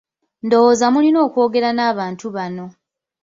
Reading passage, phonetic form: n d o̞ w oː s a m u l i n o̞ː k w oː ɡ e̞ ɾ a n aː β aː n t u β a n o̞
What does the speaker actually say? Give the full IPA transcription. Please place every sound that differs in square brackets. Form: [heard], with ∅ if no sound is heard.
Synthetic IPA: n d o̞ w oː [z] a m u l i n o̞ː k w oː ɡ e̞ ɾ a n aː β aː n t u β a n o̞